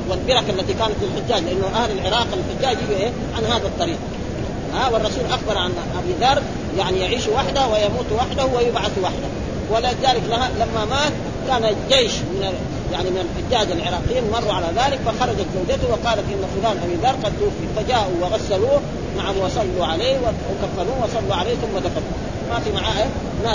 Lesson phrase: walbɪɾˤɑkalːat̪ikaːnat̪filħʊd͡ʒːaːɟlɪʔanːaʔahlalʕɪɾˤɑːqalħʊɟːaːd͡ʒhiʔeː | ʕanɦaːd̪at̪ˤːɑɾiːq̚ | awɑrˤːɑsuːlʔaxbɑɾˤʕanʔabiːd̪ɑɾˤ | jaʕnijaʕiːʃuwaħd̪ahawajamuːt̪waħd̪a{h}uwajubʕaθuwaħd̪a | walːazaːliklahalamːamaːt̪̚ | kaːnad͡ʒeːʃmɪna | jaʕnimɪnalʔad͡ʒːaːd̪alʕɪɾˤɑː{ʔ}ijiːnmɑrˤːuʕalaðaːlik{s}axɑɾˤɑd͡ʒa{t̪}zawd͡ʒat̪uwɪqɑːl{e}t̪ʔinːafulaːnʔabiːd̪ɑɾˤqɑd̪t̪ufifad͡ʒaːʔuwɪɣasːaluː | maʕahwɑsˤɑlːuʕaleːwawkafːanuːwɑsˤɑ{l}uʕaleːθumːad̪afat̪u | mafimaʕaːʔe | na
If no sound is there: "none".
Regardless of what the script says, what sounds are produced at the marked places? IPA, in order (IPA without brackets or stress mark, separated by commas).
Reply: h, q, f, t̪, a, lː